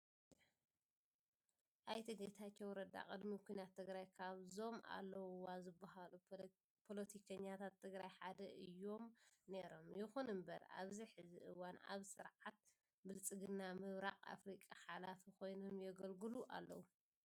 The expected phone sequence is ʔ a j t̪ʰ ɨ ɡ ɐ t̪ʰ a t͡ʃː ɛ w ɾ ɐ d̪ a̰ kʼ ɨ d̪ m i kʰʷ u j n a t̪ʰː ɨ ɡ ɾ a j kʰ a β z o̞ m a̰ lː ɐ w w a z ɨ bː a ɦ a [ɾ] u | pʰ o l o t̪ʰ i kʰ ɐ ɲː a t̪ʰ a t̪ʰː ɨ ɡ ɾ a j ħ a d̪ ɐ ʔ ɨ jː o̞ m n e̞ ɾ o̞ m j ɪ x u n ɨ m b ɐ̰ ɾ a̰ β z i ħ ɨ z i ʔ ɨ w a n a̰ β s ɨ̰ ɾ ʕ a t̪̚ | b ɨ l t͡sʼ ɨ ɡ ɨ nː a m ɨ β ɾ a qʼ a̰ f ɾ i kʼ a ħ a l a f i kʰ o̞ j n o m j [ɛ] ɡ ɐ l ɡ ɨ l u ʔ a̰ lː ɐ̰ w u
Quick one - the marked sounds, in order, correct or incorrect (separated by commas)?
incorrect, correct